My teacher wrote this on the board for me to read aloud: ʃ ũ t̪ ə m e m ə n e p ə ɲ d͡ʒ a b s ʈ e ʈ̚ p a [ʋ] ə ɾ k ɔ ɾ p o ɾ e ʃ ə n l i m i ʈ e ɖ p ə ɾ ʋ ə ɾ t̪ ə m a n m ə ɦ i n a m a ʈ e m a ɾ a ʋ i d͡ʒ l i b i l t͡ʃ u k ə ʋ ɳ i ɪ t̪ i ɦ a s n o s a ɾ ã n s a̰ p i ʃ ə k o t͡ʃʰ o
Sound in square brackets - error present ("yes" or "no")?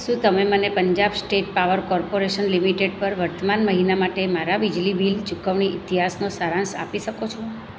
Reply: no